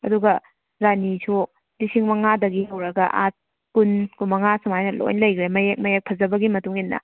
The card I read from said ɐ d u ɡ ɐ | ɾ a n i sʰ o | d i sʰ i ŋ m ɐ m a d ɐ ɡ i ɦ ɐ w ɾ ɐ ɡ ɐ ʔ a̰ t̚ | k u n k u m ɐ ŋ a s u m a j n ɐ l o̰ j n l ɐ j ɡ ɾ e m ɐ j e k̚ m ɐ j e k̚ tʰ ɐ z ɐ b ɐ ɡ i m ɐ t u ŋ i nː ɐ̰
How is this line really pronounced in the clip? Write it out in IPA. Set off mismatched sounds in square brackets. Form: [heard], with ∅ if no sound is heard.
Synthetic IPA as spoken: ɐ d u ɡ ɐ | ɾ a n i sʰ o | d i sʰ i ŋ m ɐ [ŋ] a d ɐ ɡ i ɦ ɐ w ɾ ɐ ɡ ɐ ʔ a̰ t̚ | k u n k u m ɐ ŋ a s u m a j n ɐ l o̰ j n l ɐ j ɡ ɾ e m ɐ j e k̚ m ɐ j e k̚ [pʰ] ɐ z ɐ b ɐ ɡ i m ɐ t u ŋ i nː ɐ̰

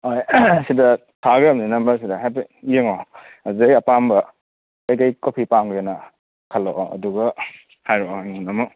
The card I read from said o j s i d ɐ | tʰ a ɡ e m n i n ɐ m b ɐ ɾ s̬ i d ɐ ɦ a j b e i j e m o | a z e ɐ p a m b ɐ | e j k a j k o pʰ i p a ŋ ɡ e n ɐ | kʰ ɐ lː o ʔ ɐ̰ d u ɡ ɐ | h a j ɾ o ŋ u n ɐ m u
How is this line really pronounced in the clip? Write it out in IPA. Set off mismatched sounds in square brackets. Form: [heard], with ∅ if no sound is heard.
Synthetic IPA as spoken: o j s i d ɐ | tʰ a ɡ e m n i n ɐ m b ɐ ɾ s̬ i d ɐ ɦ a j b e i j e [ŋ] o | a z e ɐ p a m b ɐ | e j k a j k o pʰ i p a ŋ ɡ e n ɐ | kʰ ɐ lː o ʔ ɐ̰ d u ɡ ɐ | h a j ɾ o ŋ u n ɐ m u

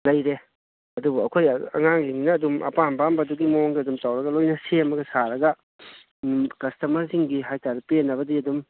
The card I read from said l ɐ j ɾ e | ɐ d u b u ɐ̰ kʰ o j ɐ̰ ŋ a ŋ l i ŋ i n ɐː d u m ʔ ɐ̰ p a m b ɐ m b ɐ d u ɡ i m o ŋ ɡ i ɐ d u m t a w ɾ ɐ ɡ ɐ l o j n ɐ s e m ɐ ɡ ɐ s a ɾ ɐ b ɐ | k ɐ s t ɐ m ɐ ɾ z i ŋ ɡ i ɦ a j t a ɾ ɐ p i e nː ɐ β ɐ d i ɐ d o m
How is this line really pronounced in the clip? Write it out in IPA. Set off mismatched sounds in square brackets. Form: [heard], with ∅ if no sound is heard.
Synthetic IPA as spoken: l ɐ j ɾ e | ɐ d u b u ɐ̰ kʰ o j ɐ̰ ŋ a ŋ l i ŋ i n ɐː d u m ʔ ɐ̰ p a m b [a] m b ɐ d u ɡ i m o ŋ ɡ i ɐ d u m t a w ɾ ɐ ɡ ɐ l o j n ɐ s e m ɐ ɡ ɐ s a ɾ ɐ [ɡ] ɐ | k ɐ s t ɐ m ɐ ɾ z i ŋ ɡ i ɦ a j t a ɾ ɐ p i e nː ɐ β ɐ d i ɐ d [u] m

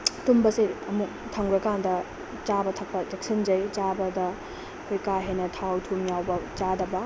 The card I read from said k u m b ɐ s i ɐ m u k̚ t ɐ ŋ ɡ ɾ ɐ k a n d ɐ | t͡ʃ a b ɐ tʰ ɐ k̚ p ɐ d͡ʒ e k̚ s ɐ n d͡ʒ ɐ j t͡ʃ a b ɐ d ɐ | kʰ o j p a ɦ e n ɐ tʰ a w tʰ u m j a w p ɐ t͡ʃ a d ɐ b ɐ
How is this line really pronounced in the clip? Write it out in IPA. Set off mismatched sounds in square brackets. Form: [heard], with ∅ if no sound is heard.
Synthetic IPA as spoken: [t] u m b ɐ s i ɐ m u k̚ [tʰ] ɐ ŋ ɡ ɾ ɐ k a n d ɐ | t͡ʃ a b ɐ tʰ ɐ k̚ p ɐ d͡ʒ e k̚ s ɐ n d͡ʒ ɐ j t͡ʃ a b ɐ d ɐ | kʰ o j [k] a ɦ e n ɐ tʰ a w tʰ u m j a w [b] ɐ t͡ʃ a d ɐ b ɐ

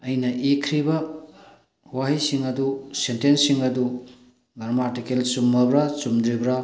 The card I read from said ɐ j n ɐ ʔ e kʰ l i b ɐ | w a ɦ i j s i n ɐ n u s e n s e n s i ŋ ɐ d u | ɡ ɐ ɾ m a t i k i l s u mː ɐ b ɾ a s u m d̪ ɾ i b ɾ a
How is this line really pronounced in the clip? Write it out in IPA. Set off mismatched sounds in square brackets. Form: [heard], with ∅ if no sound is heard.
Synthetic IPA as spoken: ɐ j n ɐ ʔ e kʰ [ɾ] i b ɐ | w a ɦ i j s i [ŋ] ɐ [d] u s e n [t] e n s i ŋ ɐ d u | ɡ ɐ ɾ m a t i k [e] l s u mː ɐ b ɾ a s u m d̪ ɾ i b ɾ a

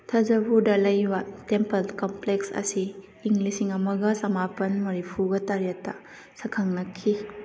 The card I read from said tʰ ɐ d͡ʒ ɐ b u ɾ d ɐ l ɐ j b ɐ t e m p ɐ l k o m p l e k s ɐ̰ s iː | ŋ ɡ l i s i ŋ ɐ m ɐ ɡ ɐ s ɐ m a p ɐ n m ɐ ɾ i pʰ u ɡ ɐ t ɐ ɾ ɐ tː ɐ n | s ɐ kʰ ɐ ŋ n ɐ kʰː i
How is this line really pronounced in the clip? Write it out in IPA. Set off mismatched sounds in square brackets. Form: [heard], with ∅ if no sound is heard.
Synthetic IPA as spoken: tʰ ɐ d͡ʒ ɐ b u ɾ d ɐ l ɐ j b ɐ t e m p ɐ l k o m p l e k s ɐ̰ s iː | ŋ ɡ l i s i ŋ ɐ m ɐ ɡ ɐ s ɐ m a p ɐ n m ɐ ɾ i pʰ u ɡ ɐ t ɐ ɾ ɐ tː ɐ [∅] | s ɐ kʰ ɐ ŋ n ɐ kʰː i

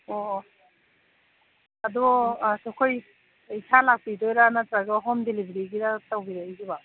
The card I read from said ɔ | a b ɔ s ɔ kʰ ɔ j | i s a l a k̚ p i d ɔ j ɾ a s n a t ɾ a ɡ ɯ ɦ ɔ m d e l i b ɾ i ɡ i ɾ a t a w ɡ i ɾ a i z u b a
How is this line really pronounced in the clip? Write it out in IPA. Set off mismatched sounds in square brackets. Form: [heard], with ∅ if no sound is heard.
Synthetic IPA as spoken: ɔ | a [d] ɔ s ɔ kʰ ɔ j | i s a l a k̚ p i d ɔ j ɾ a [∅] n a t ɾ a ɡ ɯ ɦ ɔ m d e l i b ɾ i ɡ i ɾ a t a w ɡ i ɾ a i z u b a

